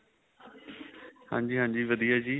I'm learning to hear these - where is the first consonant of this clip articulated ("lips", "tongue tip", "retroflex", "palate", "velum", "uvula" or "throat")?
throat